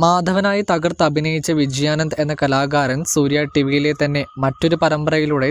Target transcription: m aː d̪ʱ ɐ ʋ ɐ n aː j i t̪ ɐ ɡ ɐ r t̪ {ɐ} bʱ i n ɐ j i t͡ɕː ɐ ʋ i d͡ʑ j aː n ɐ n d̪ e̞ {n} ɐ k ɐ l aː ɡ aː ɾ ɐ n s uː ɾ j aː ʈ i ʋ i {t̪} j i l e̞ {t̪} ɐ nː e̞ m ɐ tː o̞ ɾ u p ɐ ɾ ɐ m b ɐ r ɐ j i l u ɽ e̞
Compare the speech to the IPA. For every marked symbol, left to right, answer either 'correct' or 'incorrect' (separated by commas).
correct, incorrect, incorrect, correct